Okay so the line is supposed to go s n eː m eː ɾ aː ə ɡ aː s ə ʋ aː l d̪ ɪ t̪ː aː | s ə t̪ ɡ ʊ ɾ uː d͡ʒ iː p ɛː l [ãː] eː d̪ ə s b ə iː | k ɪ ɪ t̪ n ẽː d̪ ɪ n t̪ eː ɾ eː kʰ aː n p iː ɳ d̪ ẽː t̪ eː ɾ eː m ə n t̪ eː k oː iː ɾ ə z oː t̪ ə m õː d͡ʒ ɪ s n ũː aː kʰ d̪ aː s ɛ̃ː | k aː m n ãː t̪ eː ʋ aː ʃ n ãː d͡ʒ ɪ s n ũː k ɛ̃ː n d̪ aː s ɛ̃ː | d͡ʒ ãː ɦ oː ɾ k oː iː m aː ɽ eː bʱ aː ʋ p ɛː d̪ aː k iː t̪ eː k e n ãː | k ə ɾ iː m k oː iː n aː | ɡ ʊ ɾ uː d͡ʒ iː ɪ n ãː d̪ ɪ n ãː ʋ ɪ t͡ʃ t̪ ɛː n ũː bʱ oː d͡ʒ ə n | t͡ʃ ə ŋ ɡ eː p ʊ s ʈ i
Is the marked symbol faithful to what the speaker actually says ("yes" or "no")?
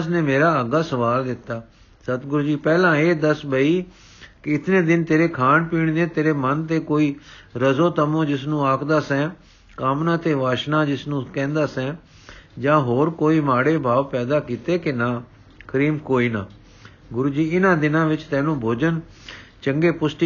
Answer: yes